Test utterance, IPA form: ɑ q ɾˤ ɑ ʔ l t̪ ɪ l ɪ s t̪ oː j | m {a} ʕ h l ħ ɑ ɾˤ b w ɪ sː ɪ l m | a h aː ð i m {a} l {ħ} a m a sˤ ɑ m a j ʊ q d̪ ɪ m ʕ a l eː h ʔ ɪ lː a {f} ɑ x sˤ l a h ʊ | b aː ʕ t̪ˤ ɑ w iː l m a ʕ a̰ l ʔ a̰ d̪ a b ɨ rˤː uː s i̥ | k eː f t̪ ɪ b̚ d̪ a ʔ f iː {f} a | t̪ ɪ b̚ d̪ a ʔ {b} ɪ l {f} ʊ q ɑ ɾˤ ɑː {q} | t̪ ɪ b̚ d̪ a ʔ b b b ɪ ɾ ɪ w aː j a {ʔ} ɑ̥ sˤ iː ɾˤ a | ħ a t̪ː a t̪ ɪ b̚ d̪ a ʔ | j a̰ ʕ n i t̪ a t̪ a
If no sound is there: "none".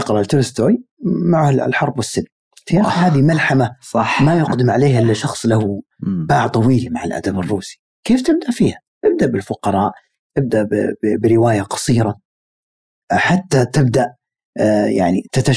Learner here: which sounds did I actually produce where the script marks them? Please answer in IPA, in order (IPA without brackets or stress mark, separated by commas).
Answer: a, a, ħ, ʃ, h, b, f, ʔ, q